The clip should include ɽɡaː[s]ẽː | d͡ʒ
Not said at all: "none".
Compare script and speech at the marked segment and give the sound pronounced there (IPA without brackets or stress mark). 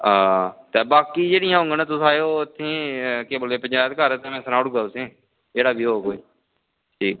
s